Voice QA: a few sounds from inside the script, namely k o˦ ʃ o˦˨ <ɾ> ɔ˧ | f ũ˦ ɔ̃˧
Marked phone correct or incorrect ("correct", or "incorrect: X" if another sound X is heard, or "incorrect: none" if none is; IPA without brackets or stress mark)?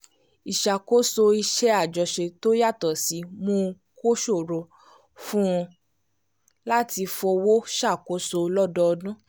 correct